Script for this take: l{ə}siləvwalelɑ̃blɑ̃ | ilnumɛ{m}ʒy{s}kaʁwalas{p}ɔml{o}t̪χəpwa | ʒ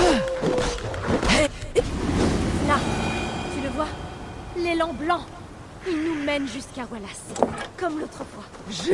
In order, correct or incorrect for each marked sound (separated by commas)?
incorrect, incorrect, correct, incorrect, correct